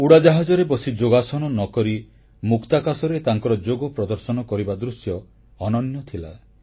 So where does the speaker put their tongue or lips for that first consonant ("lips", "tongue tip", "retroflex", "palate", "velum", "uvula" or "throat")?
retroflex